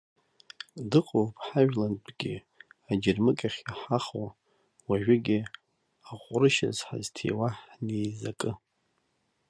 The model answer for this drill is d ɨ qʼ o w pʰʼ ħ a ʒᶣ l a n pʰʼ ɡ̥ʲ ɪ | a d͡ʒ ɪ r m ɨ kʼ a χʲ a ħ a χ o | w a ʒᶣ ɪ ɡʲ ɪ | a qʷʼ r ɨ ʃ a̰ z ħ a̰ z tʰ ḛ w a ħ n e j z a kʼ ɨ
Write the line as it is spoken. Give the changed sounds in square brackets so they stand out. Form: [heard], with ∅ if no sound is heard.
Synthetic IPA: d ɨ qʼ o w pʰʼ ħ a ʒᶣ l a n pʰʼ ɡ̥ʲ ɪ | a d͡ʒ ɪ r m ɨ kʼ a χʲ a ħ a χ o | w a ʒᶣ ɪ ɡʲ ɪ | a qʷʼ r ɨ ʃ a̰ z ħ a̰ z tʰ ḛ w a ħ n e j z a kʼ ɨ